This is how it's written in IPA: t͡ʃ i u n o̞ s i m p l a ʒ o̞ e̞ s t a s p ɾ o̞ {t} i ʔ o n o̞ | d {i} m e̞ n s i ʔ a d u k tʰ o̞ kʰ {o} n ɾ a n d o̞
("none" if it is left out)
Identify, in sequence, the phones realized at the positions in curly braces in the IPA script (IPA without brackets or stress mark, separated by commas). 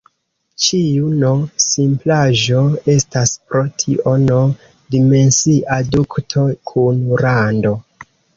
tʰ, i, u